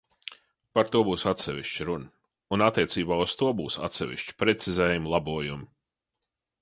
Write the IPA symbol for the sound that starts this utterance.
p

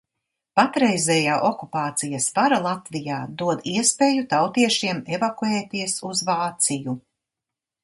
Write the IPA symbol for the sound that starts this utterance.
p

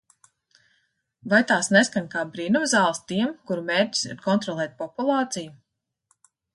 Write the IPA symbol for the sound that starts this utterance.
v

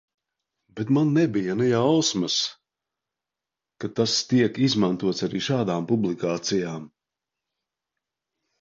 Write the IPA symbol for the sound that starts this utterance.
b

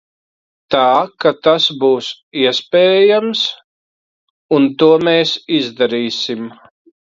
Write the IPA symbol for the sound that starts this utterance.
t̪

